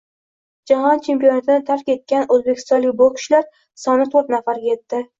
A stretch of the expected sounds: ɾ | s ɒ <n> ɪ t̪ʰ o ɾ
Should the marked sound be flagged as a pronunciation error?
no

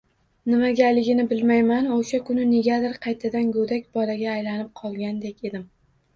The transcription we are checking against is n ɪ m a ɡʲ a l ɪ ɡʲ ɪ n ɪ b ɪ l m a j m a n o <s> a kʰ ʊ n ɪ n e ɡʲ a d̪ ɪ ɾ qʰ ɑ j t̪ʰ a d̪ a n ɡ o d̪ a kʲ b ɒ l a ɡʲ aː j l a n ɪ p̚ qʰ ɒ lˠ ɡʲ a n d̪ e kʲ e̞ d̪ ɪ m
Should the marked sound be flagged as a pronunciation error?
yes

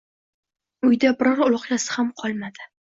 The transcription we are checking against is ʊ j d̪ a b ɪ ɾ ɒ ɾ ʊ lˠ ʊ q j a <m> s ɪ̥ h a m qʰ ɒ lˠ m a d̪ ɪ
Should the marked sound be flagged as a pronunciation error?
yes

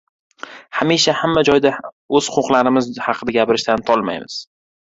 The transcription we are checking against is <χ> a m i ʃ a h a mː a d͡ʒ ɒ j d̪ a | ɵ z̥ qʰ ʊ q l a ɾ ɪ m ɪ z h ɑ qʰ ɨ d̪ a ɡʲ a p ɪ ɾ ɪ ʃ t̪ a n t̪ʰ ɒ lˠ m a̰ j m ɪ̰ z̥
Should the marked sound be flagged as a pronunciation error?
yes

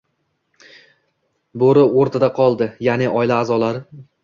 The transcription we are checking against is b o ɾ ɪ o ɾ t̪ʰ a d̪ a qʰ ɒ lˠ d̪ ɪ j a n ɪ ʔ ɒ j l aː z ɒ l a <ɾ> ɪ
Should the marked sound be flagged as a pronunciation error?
no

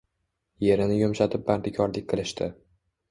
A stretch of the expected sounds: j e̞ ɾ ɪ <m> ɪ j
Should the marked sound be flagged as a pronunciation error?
yes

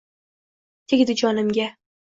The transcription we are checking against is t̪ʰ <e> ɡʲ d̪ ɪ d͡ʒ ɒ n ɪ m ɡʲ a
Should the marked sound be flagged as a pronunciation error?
no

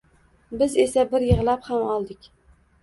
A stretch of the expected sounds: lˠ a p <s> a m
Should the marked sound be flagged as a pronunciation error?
yes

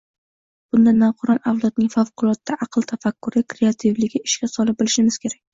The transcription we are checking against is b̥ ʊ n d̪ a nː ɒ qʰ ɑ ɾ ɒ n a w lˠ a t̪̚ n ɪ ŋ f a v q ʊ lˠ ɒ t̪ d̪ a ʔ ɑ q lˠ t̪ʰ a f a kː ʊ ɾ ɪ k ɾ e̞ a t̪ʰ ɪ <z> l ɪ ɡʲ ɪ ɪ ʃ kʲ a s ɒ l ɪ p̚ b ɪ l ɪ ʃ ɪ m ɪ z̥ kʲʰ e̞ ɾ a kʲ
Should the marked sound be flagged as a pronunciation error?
yes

